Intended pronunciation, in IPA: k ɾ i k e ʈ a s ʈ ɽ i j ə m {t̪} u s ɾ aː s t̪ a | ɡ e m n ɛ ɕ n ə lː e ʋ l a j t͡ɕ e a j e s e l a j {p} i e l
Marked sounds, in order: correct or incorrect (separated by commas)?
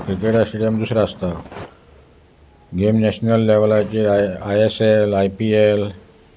incorrect, correct